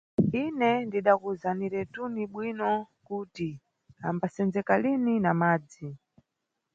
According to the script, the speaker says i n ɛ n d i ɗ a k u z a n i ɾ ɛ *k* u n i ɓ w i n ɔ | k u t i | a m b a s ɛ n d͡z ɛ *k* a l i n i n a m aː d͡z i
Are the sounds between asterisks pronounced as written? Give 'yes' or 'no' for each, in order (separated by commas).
no, yes